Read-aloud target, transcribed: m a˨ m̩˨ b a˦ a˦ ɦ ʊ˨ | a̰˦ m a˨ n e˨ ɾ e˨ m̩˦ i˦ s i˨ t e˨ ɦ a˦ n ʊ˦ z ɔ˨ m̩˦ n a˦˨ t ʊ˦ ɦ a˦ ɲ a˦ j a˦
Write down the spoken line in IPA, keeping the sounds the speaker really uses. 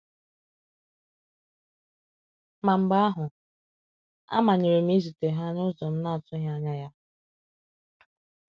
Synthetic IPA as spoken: m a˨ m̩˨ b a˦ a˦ ɦ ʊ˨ | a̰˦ m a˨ ɲ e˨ ɾ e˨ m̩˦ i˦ z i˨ t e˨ ɦ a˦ n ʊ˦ z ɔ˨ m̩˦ n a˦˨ t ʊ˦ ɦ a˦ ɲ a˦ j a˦